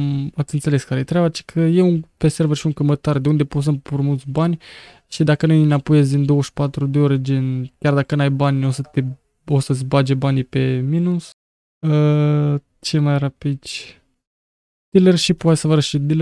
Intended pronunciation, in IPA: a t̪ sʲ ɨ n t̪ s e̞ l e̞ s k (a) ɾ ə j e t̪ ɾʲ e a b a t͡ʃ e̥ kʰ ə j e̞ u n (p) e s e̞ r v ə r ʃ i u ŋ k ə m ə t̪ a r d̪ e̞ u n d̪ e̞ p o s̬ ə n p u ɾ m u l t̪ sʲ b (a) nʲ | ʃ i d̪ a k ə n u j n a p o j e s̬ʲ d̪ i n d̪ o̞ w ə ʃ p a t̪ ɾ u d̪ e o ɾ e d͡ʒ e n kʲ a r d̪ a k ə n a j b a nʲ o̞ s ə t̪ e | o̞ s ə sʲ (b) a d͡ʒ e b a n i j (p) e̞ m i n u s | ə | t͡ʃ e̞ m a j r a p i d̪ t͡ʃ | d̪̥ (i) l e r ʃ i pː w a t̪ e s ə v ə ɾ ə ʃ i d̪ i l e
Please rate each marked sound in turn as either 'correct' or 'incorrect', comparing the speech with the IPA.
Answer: correct, correct, correct, correct, correct, correct

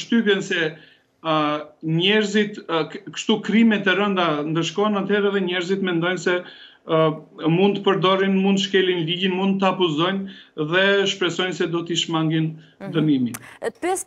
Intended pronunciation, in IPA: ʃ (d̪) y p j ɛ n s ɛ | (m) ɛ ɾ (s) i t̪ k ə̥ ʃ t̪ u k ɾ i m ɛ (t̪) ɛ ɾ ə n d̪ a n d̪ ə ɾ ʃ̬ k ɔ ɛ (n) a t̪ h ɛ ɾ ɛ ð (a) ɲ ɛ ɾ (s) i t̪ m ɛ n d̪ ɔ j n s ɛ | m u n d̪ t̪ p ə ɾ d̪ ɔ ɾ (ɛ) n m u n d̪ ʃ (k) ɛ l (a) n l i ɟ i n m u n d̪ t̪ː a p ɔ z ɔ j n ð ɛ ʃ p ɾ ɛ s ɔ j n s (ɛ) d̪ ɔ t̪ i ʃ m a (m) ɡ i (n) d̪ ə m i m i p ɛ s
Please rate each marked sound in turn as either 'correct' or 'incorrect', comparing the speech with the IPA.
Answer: incorrect, incorrect, incorrect, correct, correct, incorrect, incorrect, incorrect, correct, incorrect, correct, incorrect, correct

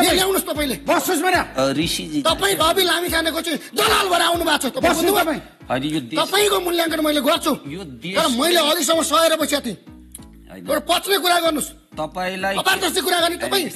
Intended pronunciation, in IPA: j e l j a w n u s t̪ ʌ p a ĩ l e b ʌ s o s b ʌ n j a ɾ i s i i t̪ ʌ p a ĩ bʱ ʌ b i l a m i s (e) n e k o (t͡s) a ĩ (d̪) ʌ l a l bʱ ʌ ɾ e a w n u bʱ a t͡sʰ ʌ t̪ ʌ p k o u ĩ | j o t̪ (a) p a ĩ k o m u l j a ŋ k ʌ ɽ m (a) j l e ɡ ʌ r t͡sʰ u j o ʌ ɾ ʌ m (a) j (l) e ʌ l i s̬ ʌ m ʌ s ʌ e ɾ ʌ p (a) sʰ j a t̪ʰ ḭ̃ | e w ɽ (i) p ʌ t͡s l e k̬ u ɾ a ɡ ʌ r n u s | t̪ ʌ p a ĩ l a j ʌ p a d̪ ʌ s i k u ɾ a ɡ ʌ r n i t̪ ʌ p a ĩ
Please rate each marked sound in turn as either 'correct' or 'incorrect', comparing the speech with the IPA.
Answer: incorrect, correct, correct, incorrect, incorrect, incorrect, correct, incorrect, incorrect

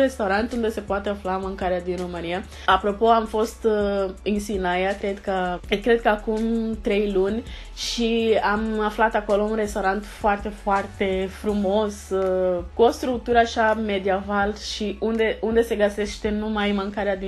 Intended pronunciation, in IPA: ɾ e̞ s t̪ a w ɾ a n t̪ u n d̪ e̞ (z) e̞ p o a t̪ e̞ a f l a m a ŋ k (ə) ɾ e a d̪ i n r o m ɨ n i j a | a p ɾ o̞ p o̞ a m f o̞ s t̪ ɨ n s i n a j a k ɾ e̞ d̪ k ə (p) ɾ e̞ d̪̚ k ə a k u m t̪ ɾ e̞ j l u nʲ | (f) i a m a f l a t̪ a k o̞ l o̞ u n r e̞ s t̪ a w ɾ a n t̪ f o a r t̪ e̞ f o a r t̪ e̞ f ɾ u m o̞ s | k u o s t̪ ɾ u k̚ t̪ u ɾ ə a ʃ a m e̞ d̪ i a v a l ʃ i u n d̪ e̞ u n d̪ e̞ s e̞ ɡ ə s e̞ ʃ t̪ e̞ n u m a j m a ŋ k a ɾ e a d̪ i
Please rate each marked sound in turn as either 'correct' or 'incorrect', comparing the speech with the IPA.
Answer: incorrect, incorrect, incorrect, incorrect

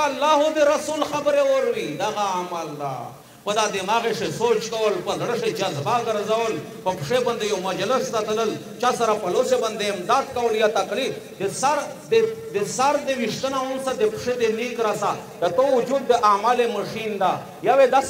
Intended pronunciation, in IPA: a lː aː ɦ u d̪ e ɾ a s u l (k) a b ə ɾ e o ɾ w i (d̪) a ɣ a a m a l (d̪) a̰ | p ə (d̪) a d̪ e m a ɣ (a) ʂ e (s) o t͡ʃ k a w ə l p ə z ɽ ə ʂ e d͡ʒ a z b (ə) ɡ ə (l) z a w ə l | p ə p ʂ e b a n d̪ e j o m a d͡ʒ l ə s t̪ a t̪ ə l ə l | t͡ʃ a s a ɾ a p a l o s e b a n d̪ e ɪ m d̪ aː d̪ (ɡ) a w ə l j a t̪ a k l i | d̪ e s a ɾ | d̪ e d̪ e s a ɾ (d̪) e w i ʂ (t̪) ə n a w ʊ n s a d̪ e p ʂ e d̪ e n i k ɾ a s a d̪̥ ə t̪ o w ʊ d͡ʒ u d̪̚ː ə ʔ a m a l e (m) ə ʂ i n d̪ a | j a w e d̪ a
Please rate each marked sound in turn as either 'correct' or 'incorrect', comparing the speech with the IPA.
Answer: incorrect, correct, correct, correct, incorrect, correct, incorrect, incorrect, incorrect, correct, correct, correct

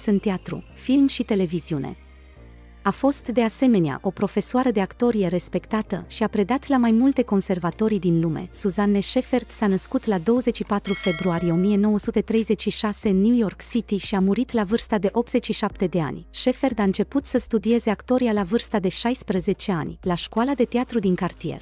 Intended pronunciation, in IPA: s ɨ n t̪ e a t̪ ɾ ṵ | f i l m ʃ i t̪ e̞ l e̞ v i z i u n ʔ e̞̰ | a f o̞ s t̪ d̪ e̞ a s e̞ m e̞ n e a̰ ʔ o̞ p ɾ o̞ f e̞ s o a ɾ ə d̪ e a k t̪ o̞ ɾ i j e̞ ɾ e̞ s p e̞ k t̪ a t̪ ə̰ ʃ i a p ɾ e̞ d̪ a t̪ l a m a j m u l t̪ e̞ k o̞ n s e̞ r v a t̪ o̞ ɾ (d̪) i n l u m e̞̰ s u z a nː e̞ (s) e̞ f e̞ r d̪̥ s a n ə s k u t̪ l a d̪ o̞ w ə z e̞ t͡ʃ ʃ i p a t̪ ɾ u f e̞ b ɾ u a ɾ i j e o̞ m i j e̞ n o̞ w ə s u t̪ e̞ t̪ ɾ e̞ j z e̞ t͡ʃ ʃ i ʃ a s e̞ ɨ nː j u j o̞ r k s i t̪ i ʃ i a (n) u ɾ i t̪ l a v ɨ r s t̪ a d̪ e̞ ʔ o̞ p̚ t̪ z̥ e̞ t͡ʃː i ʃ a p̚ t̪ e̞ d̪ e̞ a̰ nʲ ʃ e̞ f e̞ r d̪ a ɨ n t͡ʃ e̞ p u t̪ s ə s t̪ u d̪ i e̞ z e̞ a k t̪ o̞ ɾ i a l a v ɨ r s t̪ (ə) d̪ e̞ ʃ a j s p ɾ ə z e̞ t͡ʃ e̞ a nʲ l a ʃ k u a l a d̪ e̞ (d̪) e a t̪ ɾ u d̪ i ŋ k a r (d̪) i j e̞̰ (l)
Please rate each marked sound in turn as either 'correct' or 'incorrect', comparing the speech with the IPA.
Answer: correct, incorrect, incorrect, incorrect, incorrect, incorrect, incorrect

